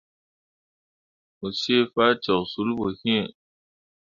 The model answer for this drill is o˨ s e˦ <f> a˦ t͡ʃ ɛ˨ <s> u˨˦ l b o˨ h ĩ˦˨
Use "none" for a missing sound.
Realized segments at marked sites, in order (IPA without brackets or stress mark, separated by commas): f, s